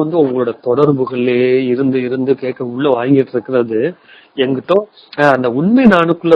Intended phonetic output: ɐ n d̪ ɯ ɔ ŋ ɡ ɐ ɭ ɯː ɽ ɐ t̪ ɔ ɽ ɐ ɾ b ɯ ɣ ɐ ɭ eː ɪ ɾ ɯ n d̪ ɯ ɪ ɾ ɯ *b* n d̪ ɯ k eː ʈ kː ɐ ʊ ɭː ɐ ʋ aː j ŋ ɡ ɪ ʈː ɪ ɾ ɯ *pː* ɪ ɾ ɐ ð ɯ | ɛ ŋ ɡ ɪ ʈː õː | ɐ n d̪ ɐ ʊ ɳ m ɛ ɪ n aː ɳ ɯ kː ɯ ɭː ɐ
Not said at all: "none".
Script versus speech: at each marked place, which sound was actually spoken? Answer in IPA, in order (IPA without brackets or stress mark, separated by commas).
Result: none, kː